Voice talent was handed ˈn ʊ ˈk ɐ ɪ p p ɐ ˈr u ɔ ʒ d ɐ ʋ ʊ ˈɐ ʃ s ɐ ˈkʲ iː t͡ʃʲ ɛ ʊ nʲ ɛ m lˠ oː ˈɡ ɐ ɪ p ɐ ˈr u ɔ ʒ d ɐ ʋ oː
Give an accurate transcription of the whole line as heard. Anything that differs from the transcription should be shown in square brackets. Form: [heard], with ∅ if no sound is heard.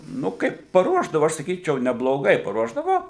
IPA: ˈn ʊ ˈk ɐ ɪ p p ɐ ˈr u ɔ ʒ d ɐ ʋ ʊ ˈɐ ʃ s ɐ ˈkʲ iː t͡ʃʲ ɛ ʊ nʲ ɛ [b] lˠ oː ˈɡ ɐ ɪ p ɐ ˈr u ɔ ʒ d ɐ ʋ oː